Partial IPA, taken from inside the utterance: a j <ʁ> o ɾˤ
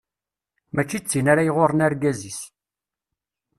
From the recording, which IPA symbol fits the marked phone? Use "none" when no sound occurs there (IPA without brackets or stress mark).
ʁ